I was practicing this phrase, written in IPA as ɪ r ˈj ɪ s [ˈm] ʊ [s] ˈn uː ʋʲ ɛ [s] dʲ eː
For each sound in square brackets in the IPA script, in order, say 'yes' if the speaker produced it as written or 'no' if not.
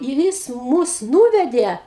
yes, yes, no

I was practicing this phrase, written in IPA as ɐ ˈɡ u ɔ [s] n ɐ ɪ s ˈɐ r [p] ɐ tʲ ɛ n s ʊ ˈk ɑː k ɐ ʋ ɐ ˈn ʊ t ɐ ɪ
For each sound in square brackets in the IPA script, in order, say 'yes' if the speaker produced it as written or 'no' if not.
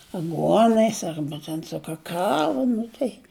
no, no

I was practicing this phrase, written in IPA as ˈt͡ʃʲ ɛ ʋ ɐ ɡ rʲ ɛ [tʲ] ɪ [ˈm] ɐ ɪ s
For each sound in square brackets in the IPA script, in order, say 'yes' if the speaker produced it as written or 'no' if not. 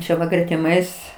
yes, yes

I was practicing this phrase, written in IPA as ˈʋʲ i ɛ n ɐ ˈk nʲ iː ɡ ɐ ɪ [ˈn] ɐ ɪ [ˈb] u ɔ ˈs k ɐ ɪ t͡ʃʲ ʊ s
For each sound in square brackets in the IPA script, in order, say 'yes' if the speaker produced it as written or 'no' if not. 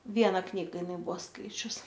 yes, yes

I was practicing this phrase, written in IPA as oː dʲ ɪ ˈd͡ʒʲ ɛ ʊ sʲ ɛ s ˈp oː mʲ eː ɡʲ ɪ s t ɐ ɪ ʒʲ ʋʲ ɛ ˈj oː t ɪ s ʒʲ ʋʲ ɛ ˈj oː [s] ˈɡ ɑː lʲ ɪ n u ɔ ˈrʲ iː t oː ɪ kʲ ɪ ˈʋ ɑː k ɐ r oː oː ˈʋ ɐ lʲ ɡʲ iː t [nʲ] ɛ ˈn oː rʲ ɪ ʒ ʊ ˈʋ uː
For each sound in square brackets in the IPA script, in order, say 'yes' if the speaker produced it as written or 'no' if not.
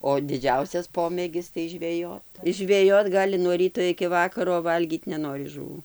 no, yes

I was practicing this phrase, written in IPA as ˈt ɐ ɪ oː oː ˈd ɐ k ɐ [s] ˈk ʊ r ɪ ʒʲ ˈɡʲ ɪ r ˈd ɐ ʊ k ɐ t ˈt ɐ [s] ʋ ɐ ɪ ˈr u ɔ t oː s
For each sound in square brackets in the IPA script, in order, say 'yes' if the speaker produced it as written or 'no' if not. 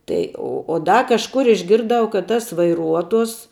no, yes

